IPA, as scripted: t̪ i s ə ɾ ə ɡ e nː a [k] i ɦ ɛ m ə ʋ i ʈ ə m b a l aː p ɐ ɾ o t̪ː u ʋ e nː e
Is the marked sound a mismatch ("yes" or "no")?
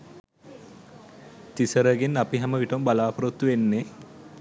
yes